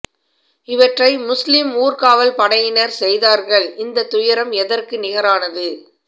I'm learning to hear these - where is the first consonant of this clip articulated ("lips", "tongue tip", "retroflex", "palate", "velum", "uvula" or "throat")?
lips